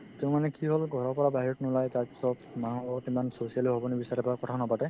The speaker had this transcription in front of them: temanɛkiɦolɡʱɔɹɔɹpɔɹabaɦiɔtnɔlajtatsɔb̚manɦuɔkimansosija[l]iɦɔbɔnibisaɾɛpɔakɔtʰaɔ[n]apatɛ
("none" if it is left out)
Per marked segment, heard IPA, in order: l, n

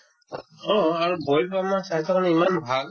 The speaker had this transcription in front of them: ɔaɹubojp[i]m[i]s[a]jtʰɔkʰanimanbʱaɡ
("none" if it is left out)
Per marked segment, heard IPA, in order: a, a, a

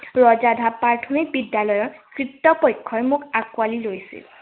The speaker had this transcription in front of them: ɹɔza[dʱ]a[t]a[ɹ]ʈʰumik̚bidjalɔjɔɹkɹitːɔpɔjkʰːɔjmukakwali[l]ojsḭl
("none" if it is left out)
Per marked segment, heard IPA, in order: dʱ, p, ɹ, l

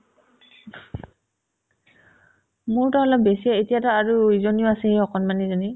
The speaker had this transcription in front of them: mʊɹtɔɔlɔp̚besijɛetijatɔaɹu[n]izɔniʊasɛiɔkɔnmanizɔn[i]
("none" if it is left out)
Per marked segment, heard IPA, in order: none, i

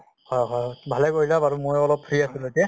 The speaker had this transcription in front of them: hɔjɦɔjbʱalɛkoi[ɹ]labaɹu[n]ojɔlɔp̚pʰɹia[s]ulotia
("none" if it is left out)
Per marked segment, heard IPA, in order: none, m, s

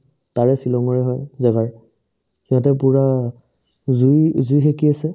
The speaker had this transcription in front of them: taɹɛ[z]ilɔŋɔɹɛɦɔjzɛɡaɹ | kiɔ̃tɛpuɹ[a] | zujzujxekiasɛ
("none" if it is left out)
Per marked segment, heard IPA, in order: s, a

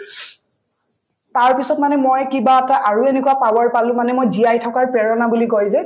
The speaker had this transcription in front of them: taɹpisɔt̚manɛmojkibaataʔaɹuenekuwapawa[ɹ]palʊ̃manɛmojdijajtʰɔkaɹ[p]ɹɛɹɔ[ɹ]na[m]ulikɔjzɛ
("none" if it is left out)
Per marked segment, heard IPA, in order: ɹ, p, none, b

